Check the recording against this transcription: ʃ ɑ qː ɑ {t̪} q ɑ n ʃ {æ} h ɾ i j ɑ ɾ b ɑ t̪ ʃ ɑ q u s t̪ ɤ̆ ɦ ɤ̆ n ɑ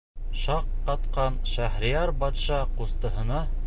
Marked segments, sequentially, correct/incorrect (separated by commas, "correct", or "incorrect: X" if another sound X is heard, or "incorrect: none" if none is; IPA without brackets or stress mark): correct, correct